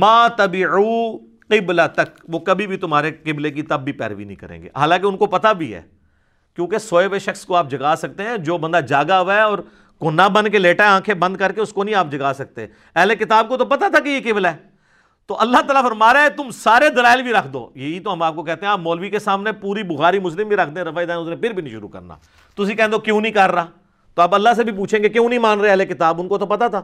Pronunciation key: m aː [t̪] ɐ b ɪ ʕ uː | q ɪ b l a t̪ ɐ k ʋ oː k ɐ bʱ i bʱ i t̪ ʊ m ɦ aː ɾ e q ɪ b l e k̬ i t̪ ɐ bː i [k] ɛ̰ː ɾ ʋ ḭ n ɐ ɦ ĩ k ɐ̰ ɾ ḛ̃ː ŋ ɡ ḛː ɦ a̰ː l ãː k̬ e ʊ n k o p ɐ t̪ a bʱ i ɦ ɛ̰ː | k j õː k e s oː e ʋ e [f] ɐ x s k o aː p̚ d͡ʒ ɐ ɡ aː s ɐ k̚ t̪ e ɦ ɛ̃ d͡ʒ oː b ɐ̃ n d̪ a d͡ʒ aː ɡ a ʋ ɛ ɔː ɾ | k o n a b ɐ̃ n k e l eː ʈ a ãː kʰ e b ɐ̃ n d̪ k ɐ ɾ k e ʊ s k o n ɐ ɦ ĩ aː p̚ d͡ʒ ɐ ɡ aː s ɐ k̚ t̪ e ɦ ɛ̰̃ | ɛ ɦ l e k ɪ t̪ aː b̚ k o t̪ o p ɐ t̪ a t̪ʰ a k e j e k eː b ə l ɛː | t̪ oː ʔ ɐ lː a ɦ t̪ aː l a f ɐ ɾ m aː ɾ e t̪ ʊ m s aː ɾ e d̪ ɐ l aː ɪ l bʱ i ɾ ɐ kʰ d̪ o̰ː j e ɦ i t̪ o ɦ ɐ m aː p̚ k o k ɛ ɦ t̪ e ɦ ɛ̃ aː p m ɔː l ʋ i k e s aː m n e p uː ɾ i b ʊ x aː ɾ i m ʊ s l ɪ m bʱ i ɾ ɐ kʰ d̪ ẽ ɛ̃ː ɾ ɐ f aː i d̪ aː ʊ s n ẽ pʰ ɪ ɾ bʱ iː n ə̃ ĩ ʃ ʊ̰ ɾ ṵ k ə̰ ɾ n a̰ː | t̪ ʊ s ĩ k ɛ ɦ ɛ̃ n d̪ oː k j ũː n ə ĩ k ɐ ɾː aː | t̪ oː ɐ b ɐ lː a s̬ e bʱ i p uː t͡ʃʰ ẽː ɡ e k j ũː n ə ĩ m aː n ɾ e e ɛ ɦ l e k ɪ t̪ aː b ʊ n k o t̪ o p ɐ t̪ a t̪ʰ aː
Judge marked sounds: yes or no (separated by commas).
yes, no, no